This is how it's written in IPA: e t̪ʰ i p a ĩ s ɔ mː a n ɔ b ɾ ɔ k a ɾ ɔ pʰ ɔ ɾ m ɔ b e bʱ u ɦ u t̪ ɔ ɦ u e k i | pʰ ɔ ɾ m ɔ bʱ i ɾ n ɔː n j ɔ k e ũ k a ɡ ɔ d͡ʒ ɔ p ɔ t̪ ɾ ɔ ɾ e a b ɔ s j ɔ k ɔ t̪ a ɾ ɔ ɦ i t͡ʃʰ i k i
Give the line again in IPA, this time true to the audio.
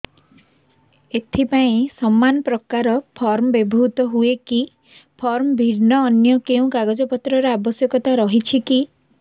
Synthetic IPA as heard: e t̪ʰ i p a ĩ s ɔ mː a n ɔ p ɾ ɔ k a ɾ ɔ pʰ ɔ ɾ m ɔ b e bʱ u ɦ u t̪ ɔ ɦ u e k i | pʰ ɔ ɾ m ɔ bʱ i ɾ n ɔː n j ɔ k e ũ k a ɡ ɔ d͡ʒ ɔ p ɔ t̪ ɾ ɔ ɾ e a b ɔ s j ɔ k ɔ t̪ a ɾ ɔ ɦ i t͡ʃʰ i k i